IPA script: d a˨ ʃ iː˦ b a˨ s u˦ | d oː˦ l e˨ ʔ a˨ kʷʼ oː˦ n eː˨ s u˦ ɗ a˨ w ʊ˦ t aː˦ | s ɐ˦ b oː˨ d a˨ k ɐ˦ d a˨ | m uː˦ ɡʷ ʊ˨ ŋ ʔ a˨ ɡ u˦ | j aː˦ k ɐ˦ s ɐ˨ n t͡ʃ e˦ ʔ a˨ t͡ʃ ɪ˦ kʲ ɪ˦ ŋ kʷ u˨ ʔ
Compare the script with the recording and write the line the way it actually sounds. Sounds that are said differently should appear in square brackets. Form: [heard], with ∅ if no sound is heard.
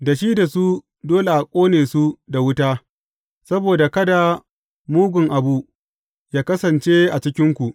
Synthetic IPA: d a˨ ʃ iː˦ [d] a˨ s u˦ | d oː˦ l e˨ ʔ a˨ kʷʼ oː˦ n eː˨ s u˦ [d] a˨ w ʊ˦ t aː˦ | s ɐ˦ b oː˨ d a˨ k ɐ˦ d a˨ | m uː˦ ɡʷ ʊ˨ ŋ ʔ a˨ [b] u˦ | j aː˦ k ɐ˦ s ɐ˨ n t͡ʃ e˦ ʔ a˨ t͡ʃ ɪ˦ kʲ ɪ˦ ŋ kʷ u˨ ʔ